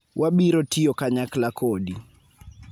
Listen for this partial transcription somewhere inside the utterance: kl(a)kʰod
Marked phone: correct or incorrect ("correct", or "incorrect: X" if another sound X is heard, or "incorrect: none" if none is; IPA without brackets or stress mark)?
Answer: correct